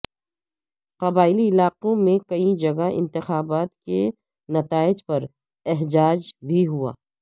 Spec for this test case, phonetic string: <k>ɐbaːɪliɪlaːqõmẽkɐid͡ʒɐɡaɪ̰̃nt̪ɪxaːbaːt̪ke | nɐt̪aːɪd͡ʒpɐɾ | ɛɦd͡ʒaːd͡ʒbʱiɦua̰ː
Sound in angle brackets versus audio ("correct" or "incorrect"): incorrect